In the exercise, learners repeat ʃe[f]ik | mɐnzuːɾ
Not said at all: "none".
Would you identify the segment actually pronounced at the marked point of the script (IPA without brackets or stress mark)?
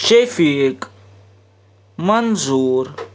f